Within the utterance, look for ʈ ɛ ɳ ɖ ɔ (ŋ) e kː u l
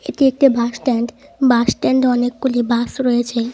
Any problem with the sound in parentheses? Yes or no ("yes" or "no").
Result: yes